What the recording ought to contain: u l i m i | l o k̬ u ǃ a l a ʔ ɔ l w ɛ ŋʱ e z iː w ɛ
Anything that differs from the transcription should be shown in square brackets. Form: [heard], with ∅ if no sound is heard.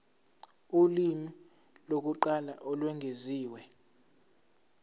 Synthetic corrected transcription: u l i m i | l o k̬ u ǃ a l a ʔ ɔ l w ɛ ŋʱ e z iː w ɛ